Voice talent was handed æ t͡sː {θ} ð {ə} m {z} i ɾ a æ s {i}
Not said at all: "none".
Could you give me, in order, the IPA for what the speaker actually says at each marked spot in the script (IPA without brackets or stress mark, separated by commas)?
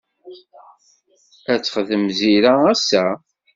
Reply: χ, ə, z, æ